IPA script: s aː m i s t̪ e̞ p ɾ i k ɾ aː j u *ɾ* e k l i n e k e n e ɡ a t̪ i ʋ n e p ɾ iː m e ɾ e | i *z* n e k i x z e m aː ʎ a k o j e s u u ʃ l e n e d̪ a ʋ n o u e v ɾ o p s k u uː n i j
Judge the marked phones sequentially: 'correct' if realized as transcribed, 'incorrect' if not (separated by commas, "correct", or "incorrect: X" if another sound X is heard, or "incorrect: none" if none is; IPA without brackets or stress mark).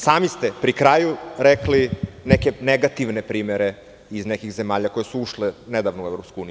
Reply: correct, correct